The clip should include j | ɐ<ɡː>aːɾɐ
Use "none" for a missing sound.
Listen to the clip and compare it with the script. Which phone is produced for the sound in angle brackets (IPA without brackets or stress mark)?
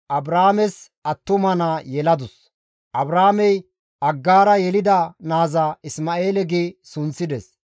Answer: ɡː